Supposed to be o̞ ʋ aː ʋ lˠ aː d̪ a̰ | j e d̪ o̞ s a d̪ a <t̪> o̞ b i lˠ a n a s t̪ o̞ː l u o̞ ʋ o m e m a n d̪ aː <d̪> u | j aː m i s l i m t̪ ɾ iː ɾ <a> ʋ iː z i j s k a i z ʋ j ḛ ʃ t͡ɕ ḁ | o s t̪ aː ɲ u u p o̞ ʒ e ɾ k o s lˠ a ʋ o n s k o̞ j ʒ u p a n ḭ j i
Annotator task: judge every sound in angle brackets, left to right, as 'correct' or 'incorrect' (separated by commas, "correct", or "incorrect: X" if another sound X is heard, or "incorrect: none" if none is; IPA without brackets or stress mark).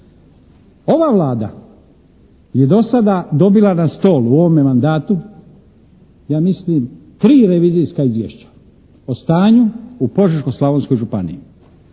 incorrect: d̪, incorrect: t̪, incorrect: e